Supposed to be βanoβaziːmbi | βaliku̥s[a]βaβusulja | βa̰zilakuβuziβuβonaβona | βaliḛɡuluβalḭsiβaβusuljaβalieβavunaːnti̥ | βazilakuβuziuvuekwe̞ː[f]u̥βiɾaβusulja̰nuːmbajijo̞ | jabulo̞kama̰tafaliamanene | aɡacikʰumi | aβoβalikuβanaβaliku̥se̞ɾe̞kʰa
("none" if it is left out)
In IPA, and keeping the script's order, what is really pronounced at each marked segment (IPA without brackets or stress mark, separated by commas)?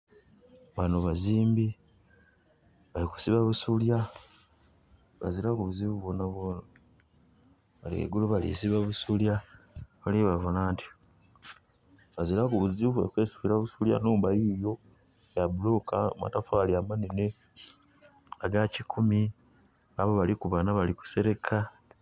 i, s